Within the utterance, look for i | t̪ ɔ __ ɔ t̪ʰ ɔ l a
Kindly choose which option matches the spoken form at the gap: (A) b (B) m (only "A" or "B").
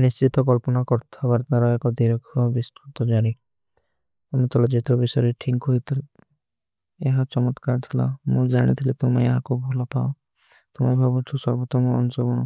B